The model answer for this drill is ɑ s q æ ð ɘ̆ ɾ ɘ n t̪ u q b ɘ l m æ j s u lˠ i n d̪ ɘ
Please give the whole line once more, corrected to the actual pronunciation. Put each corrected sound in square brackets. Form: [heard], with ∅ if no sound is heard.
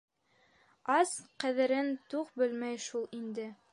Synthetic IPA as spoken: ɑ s q æ ð ɘ̆ ɾ ɘ n t̪ u q b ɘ l m æ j [ʃ] u lˠ i n d̪ ɘ